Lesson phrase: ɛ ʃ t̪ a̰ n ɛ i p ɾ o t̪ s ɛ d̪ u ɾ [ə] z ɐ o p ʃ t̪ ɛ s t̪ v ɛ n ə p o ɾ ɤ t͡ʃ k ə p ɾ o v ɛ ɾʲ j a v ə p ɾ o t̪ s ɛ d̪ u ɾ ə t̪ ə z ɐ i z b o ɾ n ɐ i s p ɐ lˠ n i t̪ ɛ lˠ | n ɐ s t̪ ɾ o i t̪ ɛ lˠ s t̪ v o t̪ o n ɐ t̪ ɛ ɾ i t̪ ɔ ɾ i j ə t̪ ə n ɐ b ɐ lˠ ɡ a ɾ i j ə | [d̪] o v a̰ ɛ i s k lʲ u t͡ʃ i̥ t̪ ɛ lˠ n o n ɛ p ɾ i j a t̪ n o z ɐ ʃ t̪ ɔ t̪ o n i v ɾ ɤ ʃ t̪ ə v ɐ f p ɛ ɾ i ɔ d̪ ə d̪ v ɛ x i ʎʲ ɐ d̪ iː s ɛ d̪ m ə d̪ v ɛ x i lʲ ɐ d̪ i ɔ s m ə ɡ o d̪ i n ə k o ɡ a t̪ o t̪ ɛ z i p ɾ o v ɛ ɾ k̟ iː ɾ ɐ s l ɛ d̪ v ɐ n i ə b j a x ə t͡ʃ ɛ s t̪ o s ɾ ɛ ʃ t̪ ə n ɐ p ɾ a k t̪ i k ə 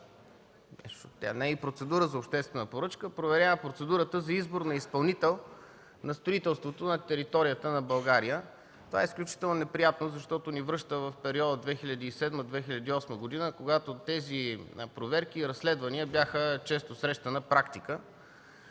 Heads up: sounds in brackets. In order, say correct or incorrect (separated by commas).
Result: correct, incorrect